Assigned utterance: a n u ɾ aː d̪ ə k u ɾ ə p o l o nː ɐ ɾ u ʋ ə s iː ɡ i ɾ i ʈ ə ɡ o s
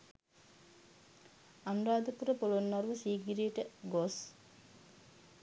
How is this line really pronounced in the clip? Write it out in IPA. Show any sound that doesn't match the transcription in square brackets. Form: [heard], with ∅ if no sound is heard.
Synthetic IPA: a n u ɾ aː d̪ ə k u ɾ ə p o l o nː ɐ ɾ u ʋ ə s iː ɡ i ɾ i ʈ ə ɡ o s